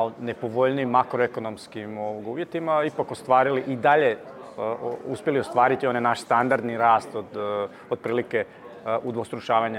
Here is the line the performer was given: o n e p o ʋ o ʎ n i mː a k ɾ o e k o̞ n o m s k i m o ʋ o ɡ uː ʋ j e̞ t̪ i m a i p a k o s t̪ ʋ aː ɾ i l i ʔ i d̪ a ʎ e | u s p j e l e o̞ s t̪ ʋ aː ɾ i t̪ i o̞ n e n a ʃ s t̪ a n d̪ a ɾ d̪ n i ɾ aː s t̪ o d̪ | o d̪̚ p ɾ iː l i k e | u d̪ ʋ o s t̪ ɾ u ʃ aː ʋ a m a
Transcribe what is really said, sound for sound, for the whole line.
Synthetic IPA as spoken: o n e p o ʋ o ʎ n i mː a k ɾ o e k o̞ n o m s k i m o ʋ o ɡ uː ʋ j e̞ t̪ i m a i p a k o s t̪ ʋ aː ɾ i l i ʔ i d̪ a ʎ e | u s p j e l i o̞ s t̪ ʋ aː ɾ i t̪ i o̞ n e n a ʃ s t̪ a n d̪ a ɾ d̪ n i ɾ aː s t̪ o d̪ | o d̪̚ p ɾ iː l i k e | u d̪ ʋ o s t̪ ɾ u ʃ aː ʋ a ɲ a